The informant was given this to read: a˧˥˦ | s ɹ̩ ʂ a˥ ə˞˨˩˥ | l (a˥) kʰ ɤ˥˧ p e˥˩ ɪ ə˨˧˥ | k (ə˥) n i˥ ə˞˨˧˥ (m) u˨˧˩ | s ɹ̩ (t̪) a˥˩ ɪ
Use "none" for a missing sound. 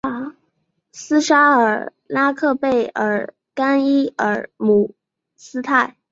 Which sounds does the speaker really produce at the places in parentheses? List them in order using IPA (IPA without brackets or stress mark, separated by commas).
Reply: a˥, a˥, m, t̪ʰ